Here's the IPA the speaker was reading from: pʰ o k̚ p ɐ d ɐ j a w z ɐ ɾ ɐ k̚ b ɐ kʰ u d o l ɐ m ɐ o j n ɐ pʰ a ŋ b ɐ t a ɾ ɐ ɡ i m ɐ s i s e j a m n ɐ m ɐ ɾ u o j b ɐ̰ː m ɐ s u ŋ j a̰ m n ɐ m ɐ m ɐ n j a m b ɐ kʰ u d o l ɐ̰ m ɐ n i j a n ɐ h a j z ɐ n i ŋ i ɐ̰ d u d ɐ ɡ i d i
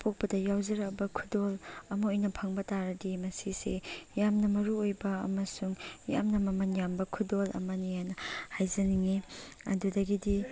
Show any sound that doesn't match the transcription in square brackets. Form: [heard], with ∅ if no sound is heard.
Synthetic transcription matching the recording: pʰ o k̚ p ɐ d ɐ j a w z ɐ ɾ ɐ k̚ b ɐ kʰ u d o l ɐ m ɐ o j n ɐ pʰ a ŋ b ɐ t a ɾ ɐ [d] i m ɐ s i s e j a m n ɐ m ɐ ɾ u o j b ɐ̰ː m ɐ s u ŋ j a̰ m n ɐ m ɐ m ɐ n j a m b ɐ kʰ u d o l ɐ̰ m ɐ n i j a n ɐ h a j z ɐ n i ŋ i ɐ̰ d u d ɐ ɡ i d i